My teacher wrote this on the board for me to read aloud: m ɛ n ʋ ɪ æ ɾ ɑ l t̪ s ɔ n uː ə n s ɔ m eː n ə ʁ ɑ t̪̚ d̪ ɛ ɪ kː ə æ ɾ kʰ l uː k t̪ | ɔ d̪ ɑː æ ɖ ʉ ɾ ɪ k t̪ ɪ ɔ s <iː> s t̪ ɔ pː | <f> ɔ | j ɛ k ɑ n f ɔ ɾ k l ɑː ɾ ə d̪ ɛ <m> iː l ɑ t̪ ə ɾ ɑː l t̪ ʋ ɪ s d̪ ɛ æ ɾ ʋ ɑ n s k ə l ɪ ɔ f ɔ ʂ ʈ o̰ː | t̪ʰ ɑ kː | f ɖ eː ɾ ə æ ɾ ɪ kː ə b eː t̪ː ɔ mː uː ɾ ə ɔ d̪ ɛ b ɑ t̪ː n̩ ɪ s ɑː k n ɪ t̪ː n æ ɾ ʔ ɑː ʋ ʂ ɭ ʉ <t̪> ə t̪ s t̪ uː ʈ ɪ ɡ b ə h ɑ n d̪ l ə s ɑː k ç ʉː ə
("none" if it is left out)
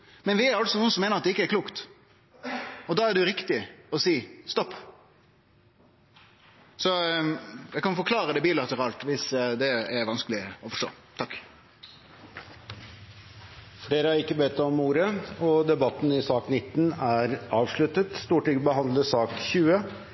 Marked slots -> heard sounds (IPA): iː, s, b, t̪

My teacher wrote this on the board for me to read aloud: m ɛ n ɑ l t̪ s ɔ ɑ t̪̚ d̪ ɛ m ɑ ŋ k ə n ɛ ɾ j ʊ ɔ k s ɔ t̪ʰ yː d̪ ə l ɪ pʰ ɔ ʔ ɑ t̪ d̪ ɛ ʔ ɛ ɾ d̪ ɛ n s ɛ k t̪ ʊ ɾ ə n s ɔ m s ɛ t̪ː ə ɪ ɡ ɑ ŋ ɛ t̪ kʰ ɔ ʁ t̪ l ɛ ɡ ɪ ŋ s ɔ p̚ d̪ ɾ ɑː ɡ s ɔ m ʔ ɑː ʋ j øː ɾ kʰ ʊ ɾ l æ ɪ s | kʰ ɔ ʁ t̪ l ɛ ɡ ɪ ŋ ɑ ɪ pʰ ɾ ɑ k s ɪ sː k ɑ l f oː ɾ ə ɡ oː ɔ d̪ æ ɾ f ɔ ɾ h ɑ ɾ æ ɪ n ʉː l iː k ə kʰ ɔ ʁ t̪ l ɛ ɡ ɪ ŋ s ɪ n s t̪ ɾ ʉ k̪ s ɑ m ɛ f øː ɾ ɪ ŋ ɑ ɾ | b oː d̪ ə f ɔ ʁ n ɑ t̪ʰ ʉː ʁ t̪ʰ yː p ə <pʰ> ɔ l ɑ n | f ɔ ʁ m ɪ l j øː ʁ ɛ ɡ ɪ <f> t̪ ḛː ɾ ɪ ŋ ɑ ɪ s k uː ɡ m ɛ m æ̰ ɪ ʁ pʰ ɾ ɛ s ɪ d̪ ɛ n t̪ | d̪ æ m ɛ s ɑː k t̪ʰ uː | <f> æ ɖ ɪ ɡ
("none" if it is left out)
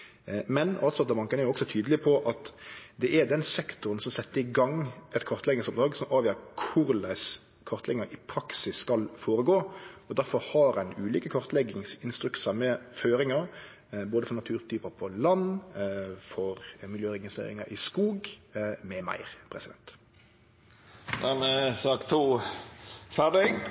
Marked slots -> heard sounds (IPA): pʰ, s, f

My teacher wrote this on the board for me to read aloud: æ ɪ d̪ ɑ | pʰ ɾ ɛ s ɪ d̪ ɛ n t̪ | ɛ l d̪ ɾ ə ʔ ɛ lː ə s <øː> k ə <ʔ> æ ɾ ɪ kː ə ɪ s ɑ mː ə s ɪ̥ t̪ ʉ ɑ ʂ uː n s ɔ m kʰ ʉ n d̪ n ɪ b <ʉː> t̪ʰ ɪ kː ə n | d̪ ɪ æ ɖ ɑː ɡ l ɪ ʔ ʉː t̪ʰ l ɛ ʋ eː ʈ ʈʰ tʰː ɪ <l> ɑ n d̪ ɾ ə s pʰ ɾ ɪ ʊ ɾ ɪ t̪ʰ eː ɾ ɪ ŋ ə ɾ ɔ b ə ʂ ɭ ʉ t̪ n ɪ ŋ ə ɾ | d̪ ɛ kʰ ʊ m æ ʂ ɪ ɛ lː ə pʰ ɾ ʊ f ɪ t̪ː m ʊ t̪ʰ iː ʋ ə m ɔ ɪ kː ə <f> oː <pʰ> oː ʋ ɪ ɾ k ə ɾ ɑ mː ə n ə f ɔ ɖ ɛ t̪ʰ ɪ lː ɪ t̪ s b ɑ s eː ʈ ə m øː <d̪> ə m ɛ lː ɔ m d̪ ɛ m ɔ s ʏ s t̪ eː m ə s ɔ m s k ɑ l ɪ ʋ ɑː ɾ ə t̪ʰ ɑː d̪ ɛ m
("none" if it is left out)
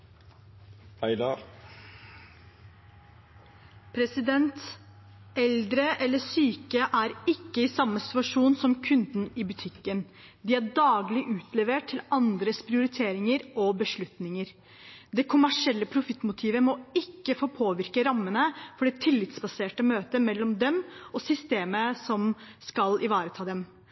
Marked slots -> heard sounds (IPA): yː, ʔ, ʉ, l, f, pʰ, t̪

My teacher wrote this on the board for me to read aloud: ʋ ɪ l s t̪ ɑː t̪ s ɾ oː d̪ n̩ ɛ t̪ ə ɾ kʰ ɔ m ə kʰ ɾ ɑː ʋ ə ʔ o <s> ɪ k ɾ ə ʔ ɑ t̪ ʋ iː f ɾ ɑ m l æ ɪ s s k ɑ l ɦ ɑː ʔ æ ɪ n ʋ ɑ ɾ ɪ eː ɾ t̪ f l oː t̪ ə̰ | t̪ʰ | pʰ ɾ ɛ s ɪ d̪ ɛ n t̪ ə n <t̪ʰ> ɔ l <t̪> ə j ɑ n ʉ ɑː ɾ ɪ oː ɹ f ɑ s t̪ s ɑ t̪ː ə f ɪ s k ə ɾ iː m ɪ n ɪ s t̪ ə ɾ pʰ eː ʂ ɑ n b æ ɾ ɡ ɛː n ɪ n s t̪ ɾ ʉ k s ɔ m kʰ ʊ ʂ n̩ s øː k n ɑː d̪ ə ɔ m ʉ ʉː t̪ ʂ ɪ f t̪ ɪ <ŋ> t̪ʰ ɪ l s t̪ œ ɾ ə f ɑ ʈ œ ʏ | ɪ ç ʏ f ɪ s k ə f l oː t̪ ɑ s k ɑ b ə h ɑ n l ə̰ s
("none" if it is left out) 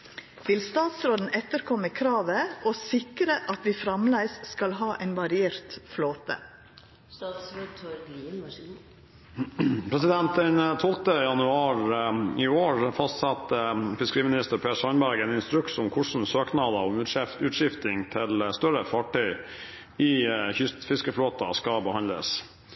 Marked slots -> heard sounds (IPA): s, t̪ʰ, t̪, ŋ

